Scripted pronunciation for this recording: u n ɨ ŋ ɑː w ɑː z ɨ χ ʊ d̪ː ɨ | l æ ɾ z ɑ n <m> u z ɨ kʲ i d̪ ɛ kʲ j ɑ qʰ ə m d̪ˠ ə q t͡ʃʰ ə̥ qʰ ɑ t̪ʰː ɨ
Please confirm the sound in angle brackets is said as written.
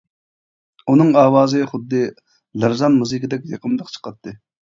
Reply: yes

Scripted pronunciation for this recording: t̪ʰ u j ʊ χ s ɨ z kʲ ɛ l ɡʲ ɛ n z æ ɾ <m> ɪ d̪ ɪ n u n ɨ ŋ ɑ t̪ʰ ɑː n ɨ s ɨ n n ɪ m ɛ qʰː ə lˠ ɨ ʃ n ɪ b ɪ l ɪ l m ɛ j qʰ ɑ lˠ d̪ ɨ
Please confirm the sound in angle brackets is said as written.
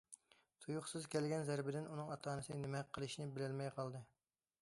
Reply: no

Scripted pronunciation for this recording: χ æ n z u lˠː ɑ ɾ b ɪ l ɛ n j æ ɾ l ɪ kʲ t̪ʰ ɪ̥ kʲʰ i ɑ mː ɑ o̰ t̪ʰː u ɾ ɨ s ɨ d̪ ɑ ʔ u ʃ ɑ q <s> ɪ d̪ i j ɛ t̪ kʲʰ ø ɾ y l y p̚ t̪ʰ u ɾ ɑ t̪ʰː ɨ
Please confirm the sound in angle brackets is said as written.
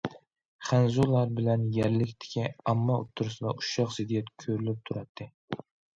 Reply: no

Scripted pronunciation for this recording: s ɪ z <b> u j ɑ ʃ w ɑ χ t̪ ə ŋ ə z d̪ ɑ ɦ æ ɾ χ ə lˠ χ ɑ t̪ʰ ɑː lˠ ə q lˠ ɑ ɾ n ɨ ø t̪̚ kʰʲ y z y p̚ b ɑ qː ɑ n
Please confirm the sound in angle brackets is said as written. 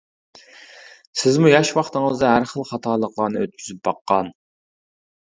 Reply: no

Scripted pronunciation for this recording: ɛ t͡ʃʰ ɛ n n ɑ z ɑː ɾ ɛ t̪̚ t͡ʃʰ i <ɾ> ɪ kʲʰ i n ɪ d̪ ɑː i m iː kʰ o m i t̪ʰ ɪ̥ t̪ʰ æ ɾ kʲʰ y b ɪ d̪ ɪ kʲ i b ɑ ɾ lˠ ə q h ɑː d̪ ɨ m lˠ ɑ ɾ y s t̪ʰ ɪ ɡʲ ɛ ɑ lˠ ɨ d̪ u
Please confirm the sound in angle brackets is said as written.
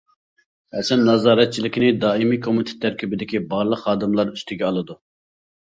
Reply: no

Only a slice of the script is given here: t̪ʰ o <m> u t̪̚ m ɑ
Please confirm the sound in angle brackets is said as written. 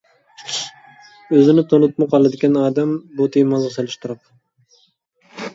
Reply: no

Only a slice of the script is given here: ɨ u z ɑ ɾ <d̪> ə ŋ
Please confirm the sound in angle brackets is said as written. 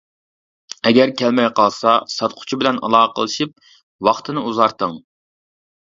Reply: no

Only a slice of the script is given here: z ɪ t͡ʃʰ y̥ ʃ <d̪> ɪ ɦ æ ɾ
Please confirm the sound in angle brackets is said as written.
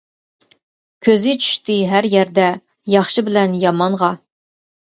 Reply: no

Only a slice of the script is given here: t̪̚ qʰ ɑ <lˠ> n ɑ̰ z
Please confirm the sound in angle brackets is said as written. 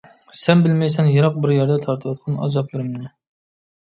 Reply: no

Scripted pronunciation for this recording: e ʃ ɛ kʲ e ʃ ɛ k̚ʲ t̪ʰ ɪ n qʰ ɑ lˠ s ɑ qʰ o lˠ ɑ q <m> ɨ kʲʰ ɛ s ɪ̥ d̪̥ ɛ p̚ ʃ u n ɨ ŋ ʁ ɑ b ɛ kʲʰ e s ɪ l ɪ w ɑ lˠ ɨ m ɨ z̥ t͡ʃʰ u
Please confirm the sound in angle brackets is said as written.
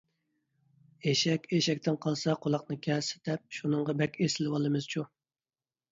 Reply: no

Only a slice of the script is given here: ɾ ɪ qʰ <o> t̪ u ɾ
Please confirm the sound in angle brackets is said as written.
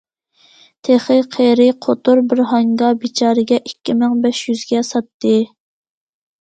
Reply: yes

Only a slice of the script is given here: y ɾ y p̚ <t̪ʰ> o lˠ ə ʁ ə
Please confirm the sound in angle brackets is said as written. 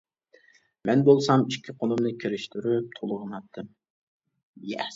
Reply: yes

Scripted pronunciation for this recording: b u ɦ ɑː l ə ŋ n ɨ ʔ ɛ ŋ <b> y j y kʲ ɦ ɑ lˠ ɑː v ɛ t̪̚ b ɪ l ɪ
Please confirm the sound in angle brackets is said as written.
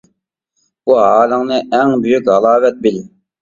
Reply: yes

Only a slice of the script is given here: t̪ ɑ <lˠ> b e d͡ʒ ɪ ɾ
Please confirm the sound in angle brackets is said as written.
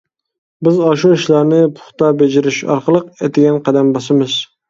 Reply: no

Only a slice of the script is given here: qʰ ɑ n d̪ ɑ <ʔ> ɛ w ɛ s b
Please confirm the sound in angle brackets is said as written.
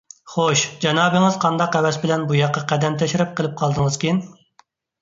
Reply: no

